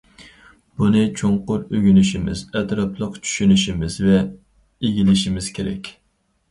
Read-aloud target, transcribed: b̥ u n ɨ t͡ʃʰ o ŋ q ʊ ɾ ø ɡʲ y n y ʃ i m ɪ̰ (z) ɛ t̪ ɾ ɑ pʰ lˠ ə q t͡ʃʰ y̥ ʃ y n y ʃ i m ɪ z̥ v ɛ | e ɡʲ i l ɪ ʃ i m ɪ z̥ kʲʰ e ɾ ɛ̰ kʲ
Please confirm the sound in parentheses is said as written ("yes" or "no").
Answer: yes